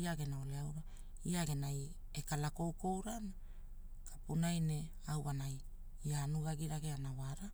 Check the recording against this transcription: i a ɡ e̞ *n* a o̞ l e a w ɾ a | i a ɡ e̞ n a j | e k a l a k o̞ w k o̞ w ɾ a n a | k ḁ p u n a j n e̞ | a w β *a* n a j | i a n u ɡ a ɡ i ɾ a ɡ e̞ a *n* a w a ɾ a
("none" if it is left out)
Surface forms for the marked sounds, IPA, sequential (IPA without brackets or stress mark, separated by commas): n, a, n